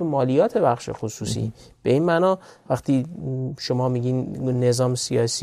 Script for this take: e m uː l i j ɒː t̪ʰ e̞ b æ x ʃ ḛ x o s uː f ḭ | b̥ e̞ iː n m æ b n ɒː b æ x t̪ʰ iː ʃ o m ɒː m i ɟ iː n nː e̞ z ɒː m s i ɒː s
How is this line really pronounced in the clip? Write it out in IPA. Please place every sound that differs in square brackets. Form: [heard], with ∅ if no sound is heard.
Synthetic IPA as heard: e m [ɒː] l i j ɒː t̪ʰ e̞ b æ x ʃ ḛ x o s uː [s] ḭ | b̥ e̞ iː n m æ [∅] n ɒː [v] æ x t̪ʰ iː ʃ o m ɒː m i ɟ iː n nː e̞ z ɒː m s i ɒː s